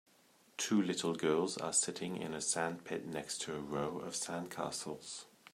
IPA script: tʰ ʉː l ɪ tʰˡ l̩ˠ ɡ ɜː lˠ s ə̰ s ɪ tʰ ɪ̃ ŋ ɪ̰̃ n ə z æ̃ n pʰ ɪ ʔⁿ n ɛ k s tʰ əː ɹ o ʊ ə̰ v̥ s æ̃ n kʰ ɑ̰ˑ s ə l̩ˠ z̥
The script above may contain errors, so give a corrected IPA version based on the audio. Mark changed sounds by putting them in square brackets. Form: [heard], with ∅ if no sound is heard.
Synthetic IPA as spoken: tʰ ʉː l ɪ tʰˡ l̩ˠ ɡ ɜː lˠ [z] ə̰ s ɪ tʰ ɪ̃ ŋ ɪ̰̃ n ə [s] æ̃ n pʰ ɪ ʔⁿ n ɛ k s tʰ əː ɹ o ʊ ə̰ v̥ s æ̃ n kʰ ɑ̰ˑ s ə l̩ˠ z̥